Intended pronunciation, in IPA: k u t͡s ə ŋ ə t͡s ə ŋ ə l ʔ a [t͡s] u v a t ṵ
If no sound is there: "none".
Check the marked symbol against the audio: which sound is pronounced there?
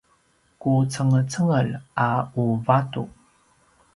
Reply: none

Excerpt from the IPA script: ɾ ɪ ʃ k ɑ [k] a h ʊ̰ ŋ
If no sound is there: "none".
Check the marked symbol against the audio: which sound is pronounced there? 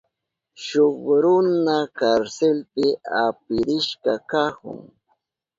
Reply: k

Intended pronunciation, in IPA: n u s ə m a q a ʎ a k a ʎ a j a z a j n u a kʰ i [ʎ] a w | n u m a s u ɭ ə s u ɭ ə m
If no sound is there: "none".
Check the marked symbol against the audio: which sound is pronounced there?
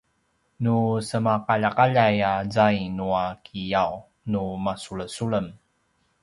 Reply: j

